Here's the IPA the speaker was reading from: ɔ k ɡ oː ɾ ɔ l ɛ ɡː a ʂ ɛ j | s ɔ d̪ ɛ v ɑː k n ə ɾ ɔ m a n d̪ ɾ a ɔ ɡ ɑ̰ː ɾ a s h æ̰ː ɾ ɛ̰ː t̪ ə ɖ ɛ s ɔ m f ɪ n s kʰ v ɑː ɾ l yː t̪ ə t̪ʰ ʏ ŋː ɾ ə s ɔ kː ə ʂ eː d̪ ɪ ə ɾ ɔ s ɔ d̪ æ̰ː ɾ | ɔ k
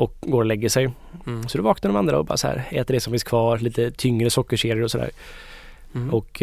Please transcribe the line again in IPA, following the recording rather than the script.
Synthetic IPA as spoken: ɔ k ɡ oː ɾ ɔ l ɛ ɡː ə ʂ ɛ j | s ɔ d̪ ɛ v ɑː k n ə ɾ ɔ m a n d̪ ɾ a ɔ b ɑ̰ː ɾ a s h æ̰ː ɾ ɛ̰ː t̪ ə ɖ ɛ s ɔ m f ɪ n s kʰ v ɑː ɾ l iː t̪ ə t̪ʰ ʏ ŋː ɾ ə s ɔ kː ə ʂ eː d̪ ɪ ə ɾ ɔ s ɔ d̪ æ̰ː ɾ | ɔ k